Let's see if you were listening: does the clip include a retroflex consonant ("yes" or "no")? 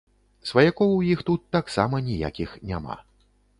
no